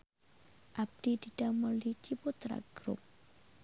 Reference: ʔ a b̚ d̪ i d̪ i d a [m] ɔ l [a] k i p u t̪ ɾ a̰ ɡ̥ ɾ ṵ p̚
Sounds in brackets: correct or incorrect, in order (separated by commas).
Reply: correct, incorrect